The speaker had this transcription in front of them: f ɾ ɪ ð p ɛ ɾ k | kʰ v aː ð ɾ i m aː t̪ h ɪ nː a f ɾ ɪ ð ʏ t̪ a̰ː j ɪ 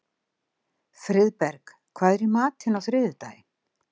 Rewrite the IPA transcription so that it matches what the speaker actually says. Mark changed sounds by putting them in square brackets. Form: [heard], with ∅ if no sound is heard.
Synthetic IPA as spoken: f ɾ ɪ ð p ɛ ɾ k | kʰ v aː ð ɾ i m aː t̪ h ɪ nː a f ɾ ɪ ð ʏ t̪ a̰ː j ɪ